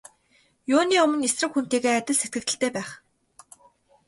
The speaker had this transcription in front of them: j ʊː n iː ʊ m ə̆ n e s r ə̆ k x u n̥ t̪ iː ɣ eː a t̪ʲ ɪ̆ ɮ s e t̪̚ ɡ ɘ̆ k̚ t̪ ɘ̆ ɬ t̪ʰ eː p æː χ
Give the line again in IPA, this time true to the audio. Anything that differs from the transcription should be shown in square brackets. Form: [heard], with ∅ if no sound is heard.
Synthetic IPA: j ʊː n iː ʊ m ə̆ n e s r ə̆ k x u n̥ t̪ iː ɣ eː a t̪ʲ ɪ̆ ɮ s e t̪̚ ɡ ɘ̆ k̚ t̪ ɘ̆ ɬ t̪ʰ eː p æː χ